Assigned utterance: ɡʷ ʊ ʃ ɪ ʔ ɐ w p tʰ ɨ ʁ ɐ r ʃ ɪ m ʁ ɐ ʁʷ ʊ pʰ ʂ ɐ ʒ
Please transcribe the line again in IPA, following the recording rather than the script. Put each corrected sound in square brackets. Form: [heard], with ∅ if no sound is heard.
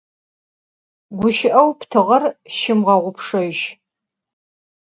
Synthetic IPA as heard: ɡʷ ʊ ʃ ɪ ʔ ɐ w p tʰ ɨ ʁ ɐ r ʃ ɪ m ʁ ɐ ʁʷ ʊ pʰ ʂ ɐ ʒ

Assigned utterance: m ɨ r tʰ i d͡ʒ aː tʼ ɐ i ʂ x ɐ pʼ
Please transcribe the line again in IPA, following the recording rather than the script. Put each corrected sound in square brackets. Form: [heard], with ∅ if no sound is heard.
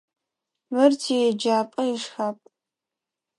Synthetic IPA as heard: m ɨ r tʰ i d͡ʒ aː [pʼ] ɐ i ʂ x [a] pʼ

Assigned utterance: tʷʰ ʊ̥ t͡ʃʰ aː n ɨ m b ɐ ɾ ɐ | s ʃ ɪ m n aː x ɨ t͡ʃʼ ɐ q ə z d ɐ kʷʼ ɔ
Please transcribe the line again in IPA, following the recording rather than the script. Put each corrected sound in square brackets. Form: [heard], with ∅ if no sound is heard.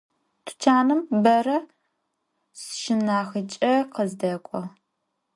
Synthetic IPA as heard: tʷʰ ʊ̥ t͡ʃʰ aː n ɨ m b ɐ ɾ ɐ | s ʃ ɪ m n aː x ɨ t͡ʃʼ ɐ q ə z d ɐ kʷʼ ɔ

